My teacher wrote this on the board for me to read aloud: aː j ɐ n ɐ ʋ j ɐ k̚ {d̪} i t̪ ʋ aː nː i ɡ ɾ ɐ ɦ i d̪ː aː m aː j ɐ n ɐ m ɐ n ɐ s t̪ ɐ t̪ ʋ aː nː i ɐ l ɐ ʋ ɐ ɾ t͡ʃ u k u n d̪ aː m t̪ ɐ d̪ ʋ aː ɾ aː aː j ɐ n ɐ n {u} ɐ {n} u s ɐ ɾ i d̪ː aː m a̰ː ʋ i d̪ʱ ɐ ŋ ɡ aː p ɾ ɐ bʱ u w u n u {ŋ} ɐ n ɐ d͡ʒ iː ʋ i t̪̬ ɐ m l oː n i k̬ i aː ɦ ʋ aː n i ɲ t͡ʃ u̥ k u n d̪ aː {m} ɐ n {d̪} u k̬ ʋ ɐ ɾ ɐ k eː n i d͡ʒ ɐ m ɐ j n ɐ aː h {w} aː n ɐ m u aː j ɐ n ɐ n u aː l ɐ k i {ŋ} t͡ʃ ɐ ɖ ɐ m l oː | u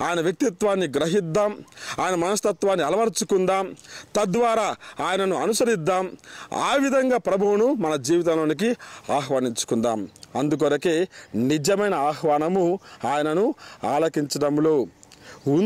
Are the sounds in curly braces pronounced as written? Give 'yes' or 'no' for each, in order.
no, yes, yes, no, yes, yes, no, no

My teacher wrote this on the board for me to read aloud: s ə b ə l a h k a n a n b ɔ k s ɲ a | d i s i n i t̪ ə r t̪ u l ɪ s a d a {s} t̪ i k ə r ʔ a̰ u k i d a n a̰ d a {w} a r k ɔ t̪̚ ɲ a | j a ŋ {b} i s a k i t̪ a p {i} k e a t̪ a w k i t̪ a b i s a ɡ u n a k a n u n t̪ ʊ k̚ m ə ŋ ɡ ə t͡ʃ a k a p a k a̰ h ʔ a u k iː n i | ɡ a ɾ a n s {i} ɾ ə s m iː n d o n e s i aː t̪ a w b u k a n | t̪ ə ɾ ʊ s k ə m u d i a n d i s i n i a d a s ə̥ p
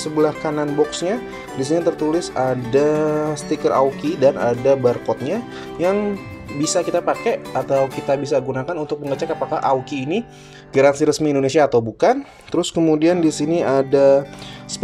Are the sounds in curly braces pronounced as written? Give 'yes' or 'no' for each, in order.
yes, no, yes, no, yes

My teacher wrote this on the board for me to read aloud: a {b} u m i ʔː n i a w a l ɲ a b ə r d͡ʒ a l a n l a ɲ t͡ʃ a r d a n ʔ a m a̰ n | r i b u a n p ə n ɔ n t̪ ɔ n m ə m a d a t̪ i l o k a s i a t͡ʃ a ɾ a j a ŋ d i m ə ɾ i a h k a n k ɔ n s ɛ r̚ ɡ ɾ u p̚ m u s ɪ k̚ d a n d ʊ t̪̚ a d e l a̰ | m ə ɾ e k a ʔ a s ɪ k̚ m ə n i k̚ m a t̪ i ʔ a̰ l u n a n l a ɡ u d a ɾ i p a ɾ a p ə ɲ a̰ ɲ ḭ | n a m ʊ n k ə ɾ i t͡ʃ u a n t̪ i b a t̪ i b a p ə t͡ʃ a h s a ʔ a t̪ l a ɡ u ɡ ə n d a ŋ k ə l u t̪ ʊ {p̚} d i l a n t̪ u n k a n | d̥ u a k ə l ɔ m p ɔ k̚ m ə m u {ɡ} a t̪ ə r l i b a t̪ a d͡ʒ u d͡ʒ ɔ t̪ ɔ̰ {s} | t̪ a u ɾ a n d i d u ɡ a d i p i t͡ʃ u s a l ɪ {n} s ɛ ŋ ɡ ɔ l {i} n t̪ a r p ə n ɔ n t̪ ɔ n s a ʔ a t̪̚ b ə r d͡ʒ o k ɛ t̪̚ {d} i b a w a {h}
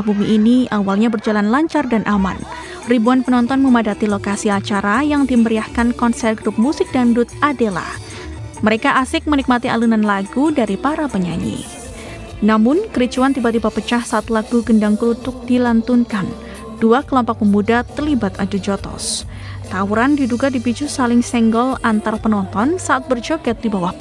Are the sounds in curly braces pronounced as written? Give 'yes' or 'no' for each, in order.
yes, no, no, yes, no, no, yes, yes

